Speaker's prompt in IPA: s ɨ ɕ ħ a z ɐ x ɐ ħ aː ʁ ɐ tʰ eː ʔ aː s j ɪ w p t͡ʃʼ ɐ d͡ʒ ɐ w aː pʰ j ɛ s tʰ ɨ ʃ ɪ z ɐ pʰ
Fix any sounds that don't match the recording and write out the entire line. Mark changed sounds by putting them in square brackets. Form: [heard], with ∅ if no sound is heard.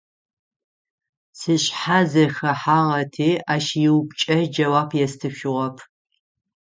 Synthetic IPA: s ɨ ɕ ħ a z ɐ x ɐ ħ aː ʁ ɐ tʰ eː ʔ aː [ʃ] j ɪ w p t͡ʃʼ ɐ d͡ʒ ɐ w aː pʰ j ɛ s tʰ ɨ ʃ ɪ [ʁ] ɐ pʰ

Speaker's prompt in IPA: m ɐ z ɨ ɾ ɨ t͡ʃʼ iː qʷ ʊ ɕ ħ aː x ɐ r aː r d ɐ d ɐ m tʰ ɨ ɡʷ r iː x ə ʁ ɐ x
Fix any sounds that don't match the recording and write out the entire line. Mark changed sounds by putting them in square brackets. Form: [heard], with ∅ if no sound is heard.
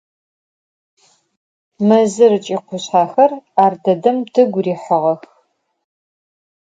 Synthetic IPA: m ɐ z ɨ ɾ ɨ t͡ʃʼ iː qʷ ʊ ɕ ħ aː x ɐ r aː r d ɐ d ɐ m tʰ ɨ ɡʷ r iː [ħ] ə ʁ ɐ x

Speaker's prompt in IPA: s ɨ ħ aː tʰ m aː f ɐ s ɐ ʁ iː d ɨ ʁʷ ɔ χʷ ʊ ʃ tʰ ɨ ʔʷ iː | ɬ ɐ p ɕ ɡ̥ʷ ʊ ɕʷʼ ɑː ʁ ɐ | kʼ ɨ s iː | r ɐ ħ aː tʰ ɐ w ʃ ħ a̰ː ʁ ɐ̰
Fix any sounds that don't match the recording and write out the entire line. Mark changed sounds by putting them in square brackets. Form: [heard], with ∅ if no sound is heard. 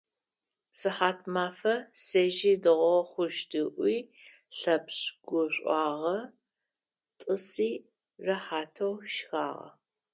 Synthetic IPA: s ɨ ħ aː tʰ m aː f ɐ s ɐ [ʒ] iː d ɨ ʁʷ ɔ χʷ ʊ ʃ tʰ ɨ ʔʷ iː | ɬ ɐ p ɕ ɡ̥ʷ ʊ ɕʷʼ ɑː ʁ ɐ | [tʼ] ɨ s iː | r ɐ ħ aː tʰ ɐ w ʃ [x] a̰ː ʁ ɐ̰

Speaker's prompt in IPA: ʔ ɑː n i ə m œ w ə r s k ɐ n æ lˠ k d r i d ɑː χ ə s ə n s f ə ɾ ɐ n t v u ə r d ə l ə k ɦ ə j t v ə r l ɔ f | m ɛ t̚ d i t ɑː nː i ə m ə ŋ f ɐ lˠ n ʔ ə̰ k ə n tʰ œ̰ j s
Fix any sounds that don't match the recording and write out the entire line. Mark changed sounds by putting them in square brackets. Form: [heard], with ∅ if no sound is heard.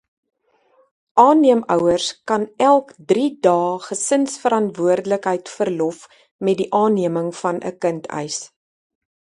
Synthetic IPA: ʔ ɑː n i ə m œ w ə r s k ɐ n æ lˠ k d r i d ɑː χ ə s ə n s f ə ɾ ɐ n t v u ə r d ə l ə k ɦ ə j t [f] ə r l ɔ f | m ɛ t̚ d i [ʔ] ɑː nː i ə m ə ŋ f ɐ [∅] n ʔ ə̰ k ə n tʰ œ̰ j s

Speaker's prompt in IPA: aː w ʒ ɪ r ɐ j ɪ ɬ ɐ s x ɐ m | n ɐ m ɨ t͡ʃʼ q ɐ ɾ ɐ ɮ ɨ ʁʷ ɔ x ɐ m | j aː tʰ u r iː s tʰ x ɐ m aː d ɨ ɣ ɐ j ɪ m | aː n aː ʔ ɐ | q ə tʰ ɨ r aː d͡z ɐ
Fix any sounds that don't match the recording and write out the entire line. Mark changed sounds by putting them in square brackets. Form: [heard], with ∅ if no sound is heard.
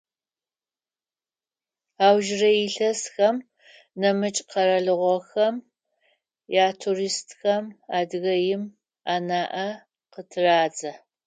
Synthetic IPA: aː w ʒ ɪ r ɐ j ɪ ɬ ɐ s x ɐ m | n ɐ m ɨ t͡ʃʼ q ɐ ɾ ɐ ɮ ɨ ʁʷ ɔ x ɐ m | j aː tʰ u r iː s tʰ x ɐ m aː d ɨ ɣ ɐ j ɪ m | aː n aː ʔ ɐ | q ə tʰ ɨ r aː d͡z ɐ

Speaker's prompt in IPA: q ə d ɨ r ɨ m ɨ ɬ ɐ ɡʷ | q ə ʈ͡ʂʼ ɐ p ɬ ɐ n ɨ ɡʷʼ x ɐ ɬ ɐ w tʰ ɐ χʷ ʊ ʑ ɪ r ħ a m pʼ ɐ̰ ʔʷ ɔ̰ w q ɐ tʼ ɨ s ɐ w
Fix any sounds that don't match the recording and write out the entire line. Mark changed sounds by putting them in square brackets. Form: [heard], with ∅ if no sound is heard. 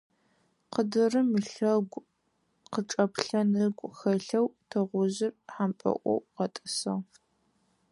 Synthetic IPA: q ə d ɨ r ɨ m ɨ ɬ ɐ ɡʷ | q ə ʈ͡ʂʼ ɐ p ɬ ɐ n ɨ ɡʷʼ x ɐ ɬ ɐ w tʰ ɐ [ʁʷ] ʊ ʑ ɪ r ħ a m pʼ ɐ̰ ʔʷ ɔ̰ w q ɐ tʼ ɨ s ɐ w

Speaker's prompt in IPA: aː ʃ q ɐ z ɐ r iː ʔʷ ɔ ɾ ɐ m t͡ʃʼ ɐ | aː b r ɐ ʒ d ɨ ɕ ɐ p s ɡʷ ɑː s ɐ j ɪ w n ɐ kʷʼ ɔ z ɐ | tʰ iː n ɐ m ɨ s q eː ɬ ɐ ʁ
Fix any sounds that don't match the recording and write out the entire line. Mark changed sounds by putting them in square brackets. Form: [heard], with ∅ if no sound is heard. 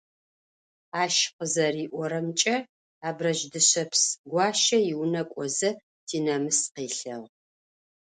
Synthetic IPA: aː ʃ q [ə] z ɐ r iː ʔʷ ɔ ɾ ɐ m t͡ʃʼ ɐ | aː b r ɐ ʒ d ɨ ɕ ɐ p s ɡʷ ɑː [ʃ] ɐ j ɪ w n ɐ kʷʼ ɔ z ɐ | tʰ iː n ɐ m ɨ s q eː ɬ ɐ ʁ

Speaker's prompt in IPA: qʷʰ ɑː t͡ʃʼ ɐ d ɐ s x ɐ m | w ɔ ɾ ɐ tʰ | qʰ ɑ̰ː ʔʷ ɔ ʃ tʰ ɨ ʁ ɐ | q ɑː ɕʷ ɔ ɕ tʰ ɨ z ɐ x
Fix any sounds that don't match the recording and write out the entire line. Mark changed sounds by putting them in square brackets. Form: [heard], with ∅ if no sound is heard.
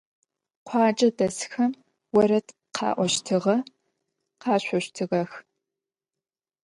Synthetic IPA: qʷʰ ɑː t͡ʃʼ ɐ d ɐ s x ɐ m | w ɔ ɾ ɐ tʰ | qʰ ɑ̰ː ʔʷ ɔ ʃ tʰ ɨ ʁ ɐ | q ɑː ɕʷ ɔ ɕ tʰ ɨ [ʁ] ɐ x

